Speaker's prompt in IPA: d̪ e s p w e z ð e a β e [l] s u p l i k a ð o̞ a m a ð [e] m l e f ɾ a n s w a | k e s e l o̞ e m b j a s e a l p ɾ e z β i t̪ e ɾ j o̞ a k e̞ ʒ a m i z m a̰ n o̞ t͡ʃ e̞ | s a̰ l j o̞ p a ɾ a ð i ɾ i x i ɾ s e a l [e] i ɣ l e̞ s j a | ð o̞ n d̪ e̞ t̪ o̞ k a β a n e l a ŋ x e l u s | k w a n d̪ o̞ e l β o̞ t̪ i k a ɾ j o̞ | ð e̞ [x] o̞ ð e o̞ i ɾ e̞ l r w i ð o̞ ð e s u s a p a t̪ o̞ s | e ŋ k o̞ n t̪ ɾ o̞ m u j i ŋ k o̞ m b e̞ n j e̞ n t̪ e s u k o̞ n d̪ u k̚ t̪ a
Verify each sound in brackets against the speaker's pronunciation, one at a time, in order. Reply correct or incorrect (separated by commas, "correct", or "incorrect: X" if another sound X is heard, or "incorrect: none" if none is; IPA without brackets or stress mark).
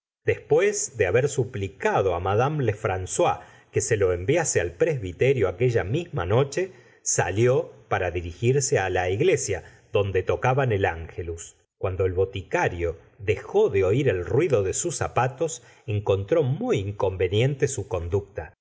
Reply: incorrect: ɾ, incorrect: a, incorrect: a, correct